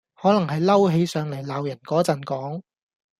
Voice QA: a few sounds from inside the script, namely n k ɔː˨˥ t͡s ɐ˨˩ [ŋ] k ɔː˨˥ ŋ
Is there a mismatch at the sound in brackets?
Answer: yes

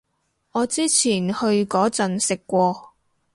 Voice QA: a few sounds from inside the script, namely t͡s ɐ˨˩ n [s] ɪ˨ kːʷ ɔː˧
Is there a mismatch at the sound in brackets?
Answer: no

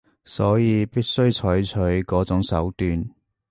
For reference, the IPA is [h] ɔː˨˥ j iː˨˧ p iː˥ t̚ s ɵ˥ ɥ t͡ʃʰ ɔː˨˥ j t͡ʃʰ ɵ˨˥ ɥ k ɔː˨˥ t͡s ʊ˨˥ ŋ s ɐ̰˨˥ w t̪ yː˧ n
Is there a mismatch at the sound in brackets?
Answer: yes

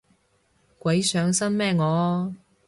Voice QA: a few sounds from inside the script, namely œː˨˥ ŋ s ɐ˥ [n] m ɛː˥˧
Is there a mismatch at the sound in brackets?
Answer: no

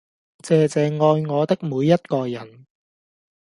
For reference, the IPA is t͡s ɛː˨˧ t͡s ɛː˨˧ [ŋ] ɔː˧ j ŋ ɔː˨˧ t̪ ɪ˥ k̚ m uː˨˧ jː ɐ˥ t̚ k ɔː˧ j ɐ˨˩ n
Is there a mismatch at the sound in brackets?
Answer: no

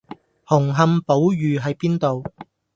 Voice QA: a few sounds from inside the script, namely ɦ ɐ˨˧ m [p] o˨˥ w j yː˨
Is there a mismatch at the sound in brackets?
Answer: no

